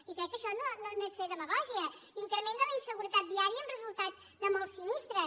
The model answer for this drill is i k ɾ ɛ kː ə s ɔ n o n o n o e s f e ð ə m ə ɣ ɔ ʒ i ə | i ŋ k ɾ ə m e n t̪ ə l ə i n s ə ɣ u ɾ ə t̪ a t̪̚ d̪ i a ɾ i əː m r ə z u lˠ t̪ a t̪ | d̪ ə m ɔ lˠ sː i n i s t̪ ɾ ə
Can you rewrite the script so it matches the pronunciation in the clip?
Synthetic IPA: i k ɾ ɛ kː ə ʃ ɔ n o n o n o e s f e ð ə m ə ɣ ɔ ʒ i ə | i ŋ k ɾ ə m e n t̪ ə l ə i n s ə ɣ u ɾ ə t̪ a t̪̚ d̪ i a ɾ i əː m r ə z u lˠ t̪ a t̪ | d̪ ə m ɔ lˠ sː i n i s t̪ ɾ ə